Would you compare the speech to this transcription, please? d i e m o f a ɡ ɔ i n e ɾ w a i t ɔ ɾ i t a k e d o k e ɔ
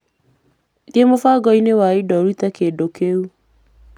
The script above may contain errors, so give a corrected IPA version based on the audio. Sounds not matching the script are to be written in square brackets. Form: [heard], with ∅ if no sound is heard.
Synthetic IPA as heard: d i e m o f a ɡ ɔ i n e [∅] w a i [d] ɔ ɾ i t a k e d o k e [u]

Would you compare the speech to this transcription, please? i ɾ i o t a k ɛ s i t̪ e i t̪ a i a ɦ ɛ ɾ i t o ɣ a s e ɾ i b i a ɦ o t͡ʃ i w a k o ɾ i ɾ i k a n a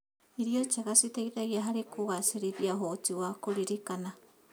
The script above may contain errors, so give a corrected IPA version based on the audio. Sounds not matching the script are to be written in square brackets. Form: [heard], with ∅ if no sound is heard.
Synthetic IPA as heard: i ɾ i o [t͡ʃ] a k [a] s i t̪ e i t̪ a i a ɦ [a] ɾ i [k] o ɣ a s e ɾ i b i a ɦ o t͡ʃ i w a k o ɾ i ɾ i k a n a

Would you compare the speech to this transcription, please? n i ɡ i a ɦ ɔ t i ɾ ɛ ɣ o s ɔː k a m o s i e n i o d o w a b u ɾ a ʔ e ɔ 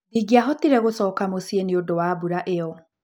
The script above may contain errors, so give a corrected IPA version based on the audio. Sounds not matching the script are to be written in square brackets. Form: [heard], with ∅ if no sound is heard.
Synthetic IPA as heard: n i ɡ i a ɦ ɔ t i ɾ ɛ ɣ o s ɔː k a m o s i e n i o d o w a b u ɾ a ʔ e ɔ

